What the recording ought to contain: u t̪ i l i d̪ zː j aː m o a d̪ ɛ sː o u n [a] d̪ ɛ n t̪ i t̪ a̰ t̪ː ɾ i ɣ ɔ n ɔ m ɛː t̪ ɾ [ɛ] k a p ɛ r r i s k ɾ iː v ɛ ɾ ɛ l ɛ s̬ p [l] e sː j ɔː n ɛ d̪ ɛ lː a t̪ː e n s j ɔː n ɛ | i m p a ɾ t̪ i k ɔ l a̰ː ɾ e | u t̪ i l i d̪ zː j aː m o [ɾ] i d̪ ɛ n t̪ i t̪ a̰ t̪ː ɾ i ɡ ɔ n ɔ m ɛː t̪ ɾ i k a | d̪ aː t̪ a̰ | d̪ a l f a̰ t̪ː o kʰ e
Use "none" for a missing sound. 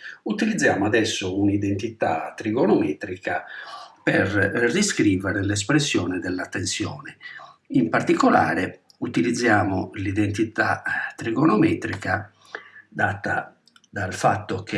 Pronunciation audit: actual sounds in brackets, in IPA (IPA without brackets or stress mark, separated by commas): i, i, ɾ, l